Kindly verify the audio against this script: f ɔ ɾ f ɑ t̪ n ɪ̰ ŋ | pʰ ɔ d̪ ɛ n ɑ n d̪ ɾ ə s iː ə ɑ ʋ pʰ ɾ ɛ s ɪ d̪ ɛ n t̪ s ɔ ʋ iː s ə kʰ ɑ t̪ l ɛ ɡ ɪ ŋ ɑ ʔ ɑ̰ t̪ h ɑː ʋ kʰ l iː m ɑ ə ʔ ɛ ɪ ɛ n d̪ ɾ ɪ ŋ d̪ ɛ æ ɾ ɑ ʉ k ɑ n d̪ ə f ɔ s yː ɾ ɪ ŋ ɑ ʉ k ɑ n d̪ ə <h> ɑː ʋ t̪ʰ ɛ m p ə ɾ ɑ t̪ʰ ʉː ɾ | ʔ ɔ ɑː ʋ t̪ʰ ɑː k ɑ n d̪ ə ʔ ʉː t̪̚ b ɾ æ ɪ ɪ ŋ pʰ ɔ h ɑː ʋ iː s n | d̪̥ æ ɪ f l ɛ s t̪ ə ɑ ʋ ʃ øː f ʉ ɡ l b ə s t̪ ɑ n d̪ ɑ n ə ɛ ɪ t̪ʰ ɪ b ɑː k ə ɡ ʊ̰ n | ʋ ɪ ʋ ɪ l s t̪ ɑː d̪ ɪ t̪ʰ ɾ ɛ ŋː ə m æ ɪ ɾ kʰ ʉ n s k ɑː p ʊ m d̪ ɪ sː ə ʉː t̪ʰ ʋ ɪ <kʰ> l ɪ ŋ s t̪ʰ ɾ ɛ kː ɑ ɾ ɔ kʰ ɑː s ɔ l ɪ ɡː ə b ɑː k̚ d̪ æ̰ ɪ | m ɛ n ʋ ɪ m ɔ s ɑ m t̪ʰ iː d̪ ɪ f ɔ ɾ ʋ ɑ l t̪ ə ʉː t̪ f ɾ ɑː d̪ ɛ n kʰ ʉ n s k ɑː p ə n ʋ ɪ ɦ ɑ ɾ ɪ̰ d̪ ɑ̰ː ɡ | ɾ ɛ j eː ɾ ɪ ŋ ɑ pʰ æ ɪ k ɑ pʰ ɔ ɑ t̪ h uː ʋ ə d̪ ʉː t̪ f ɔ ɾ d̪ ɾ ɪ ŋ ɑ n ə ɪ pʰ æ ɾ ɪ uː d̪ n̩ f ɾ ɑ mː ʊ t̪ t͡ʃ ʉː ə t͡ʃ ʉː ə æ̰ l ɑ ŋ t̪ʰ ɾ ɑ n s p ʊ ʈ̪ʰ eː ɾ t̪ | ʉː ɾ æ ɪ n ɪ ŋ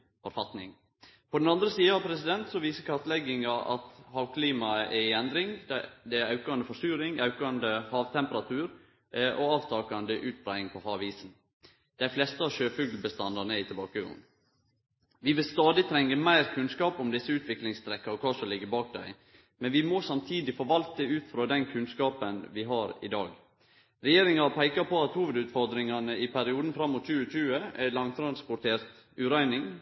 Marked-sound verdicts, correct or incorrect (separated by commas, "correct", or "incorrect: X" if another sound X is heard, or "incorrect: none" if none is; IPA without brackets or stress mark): correct, incorrect: k